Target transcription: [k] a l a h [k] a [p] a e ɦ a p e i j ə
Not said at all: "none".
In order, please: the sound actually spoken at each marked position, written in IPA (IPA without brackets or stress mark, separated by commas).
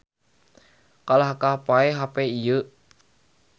k, k, p